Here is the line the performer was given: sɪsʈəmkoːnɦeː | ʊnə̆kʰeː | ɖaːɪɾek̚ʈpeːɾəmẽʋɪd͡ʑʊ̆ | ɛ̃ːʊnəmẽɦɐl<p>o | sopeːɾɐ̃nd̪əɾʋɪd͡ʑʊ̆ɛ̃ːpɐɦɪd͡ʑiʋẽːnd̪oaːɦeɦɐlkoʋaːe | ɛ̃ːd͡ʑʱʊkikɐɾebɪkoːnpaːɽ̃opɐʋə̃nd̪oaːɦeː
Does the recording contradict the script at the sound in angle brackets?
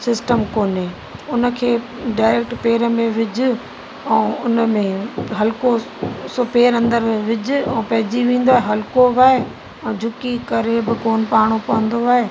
yes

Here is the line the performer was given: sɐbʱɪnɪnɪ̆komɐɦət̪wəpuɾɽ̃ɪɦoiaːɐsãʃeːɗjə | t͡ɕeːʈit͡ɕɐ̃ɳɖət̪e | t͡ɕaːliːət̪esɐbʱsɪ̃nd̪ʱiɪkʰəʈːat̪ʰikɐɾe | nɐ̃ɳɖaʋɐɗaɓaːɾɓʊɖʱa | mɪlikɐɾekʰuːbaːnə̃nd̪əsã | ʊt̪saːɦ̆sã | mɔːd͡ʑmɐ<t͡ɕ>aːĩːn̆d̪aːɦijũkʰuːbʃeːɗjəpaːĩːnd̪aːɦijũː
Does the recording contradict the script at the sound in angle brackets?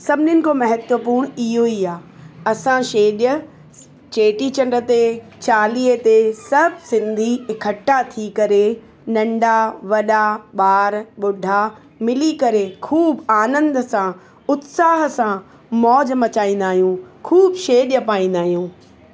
no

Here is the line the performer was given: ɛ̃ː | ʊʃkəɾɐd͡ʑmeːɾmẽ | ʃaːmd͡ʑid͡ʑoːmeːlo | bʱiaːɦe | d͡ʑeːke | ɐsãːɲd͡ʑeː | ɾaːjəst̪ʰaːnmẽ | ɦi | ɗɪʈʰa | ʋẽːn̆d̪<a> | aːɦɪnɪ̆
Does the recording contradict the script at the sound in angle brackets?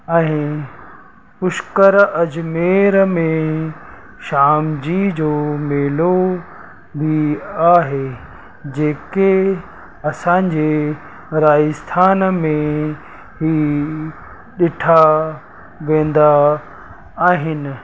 no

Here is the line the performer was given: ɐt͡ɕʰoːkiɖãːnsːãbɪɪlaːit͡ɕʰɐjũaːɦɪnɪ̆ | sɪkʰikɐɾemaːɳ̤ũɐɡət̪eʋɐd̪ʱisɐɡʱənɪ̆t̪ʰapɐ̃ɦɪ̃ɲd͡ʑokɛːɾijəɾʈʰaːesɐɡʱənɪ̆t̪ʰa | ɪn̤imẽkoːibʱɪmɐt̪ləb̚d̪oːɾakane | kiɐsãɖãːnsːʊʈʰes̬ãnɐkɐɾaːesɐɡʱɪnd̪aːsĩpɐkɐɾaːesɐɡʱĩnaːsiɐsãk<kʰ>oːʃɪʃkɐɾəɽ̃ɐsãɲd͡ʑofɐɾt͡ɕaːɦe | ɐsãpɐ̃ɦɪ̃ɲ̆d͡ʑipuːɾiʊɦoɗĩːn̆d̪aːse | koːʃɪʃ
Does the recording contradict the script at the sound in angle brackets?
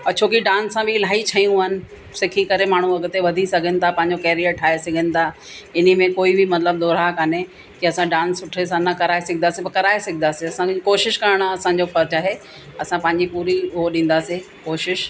yes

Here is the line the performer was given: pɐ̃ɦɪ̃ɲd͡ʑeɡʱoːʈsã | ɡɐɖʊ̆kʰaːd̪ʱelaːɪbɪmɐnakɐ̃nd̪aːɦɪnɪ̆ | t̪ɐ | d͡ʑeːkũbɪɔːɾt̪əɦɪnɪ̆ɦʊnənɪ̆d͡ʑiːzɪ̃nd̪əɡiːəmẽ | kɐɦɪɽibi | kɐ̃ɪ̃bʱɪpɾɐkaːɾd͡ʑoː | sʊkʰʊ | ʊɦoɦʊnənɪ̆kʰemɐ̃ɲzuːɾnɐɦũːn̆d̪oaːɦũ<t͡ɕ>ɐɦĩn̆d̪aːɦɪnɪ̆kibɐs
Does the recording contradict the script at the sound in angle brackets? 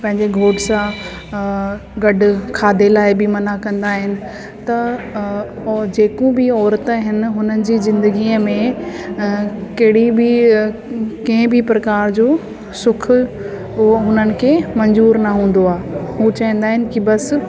no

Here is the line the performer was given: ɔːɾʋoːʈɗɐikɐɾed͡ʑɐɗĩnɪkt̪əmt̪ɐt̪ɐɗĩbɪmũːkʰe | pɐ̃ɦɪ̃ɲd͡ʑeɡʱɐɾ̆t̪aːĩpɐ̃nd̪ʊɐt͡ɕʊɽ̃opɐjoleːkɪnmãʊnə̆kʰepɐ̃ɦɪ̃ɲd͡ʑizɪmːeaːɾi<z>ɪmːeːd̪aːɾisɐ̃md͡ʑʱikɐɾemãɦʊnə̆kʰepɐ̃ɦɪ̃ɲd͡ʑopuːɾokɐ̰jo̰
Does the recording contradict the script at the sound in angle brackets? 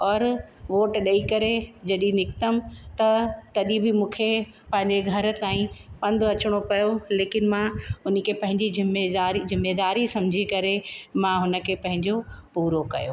no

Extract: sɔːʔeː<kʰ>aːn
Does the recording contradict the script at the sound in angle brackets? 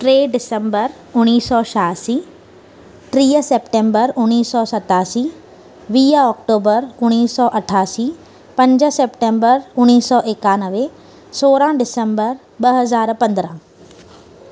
yes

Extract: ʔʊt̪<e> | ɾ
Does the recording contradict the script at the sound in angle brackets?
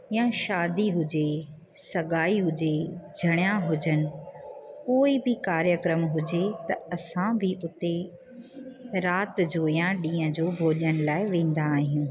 no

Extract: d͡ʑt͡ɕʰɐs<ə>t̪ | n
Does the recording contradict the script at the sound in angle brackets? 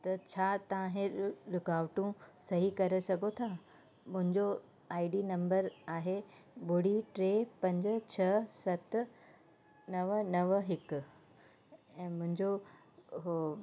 yes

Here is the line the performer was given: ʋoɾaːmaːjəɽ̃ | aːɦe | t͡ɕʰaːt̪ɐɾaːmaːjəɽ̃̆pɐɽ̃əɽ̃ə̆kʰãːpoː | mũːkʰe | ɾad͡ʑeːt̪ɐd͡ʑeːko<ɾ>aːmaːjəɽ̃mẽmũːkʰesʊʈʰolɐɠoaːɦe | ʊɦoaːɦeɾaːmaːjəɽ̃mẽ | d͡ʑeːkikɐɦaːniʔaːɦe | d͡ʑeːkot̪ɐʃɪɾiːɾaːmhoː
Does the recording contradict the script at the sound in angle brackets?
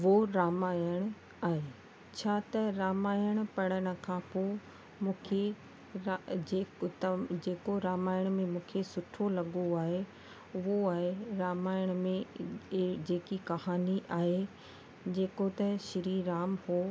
no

